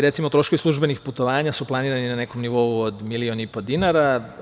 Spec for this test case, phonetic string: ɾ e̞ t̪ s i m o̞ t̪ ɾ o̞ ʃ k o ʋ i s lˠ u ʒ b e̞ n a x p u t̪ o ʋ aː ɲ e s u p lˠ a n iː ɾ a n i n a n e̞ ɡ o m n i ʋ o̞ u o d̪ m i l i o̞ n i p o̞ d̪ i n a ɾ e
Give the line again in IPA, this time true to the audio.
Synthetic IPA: ɾ e̞ t̪ s i m o̞ t̪ ɾ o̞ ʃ k o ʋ i s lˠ u ʒ b e̞ n i x p u t̪ o ʋ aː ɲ a s u p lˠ a n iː ɾ a n i n a n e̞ k o m n i ʋ o̞ u o d̪ m i l i o̞ n i p o̞ d̪ i n a ɾ a